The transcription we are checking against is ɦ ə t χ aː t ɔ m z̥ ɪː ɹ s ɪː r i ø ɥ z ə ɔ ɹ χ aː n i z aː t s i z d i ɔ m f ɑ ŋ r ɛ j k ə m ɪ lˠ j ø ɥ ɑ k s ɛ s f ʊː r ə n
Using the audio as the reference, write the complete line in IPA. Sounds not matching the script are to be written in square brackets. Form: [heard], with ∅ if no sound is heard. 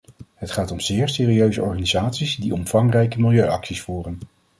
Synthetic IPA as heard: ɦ ə t χ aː t ɔ m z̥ ɪː ɹ s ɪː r i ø ɥ z ə ɔ ɹ χ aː n i z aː t s i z d i ɔ m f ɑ ŋ r ɛ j k ə m ɪ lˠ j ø ɥ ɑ k s [i] s f [uː] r ə n